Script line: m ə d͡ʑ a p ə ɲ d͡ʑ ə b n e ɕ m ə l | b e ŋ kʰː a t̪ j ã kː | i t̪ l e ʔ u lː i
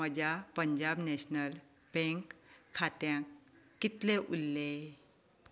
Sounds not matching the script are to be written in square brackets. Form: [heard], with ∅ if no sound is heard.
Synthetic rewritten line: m ə d͡ʑ a p ə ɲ d͡ʑ [a] b n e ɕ [n] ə l | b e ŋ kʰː a t̪ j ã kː | i t̪ l e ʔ u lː [e]